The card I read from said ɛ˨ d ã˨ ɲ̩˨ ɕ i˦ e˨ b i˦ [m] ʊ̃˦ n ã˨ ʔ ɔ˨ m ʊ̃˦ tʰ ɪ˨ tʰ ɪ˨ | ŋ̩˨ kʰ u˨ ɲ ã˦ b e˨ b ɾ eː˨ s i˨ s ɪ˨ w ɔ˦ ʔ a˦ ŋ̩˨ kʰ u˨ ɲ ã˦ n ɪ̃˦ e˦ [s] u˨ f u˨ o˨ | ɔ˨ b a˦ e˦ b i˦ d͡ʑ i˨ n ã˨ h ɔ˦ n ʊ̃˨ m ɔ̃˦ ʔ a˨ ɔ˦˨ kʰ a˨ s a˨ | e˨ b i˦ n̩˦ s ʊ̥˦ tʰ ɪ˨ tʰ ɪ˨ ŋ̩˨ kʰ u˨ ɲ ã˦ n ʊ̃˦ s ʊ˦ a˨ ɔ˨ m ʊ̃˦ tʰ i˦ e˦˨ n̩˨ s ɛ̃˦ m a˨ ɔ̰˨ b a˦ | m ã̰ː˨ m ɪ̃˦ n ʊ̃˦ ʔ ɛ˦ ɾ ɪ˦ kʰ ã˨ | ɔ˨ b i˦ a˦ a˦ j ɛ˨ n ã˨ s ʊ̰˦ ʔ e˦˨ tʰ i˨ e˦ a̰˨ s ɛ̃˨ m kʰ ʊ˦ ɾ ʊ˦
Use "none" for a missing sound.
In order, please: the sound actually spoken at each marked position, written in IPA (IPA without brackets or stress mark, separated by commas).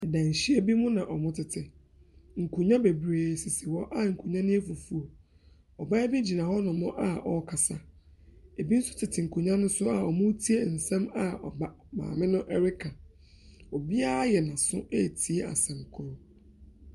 m, f